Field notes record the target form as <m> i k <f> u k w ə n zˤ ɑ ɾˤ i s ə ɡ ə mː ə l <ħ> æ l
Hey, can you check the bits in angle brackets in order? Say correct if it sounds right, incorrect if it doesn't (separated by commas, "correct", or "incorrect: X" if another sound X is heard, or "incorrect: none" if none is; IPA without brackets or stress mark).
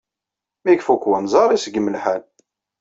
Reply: correct, correct, correct